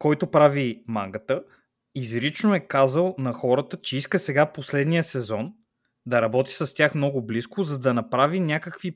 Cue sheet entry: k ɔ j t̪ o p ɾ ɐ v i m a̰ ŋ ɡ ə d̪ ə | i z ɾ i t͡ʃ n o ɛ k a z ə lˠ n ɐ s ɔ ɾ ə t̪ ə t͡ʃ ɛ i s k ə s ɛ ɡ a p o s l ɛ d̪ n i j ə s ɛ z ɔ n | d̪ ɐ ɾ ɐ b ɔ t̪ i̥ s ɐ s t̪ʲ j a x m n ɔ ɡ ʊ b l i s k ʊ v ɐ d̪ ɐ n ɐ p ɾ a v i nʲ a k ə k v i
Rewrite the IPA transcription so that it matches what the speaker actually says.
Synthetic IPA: k ɔ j t̪ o p ɾ a v i m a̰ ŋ ɡ ə t̪ ə | i z ɾ i t͡ʃ n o ɛ k a z ə lˠ n ɐ x ɔ ɾ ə t̪ ə t͡ʃ ɛ i s k ə s ɛ ɡ a p o s l ɛ d̪ n i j ə s ɛ z ɔ n | d̪ ɐ ɾ ɐ b ɔ t̪ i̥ s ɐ s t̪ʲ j a x m n ɔ ɡ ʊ b l i s k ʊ z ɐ d̪ ɐ n ɐ p ɾ a v i nʲ a k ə k v i